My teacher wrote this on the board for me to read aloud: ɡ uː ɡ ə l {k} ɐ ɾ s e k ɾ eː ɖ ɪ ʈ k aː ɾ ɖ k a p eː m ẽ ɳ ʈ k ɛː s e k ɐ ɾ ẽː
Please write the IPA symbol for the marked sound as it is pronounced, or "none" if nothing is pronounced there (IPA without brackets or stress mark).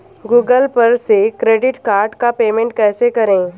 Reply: p